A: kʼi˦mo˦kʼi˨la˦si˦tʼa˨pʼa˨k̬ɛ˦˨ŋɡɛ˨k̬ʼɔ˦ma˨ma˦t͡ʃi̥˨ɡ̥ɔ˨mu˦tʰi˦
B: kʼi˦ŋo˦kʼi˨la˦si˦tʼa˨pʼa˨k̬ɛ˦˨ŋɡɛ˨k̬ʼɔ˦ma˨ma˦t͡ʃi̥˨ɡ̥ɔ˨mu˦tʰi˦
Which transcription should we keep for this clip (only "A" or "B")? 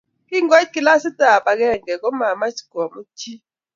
B